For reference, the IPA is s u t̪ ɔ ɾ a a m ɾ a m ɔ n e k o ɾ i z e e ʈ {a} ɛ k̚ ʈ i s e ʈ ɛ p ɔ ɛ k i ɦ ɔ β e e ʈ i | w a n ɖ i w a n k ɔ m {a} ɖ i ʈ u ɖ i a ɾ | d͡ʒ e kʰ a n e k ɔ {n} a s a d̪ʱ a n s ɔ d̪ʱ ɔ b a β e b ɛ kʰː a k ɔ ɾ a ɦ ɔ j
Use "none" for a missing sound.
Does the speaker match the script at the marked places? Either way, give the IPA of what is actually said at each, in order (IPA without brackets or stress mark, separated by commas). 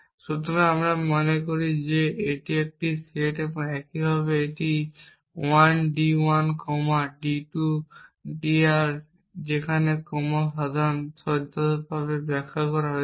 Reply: i, a, m